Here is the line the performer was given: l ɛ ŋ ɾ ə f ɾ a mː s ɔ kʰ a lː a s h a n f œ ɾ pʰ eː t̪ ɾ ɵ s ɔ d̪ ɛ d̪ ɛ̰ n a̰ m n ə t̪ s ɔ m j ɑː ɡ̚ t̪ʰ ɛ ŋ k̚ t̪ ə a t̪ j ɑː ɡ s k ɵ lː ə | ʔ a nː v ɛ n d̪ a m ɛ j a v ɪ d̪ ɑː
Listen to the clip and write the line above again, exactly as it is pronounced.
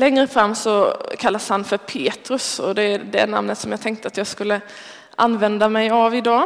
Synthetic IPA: l ɛ ŋ ɾ ə f ɾ a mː s ɔ kʰ a lː a s h a n f œ ɾ pʰ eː t̪ ɾ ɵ s ɔ d̪ ɛ d̪ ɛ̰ n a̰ m n ə t̪ s ɔ m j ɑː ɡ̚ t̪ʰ ɛ ŋ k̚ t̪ ə a t̪ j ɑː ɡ s k ɵ lː ə | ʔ a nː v ɛ n d̪ a m ɛ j a v ɪ d̪ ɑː